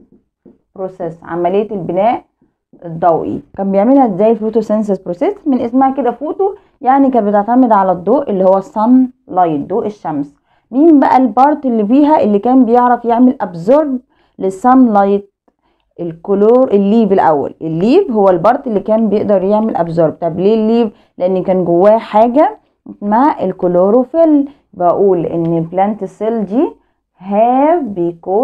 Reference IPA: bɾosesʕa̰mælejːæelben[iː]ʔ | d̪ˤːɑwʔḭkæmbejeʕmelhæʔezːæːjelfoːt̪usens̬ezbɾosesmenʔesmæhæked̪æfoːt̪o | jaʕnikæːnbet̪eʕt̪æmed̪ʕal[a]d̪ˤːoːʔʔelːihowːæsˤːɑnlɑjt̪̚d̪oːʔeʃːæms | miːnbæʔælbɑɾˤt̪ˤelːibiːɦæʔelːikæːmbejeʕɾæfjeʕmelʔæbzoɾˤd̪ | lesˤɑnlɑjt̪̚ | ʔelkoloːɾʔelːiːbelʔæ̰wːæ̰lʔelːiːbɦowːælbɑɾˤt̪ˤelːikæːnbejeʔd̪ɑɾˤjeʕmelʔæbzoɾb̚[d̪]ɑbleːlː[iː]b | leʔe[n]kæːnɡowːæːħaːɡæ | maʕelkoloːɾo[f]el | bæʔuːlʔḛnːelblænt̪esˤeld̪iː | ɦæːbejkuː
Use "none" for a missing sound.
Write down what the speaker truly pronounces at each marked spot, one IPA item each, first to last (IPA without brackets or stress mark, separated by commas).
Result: æː, æ, t̪, iː, nː, f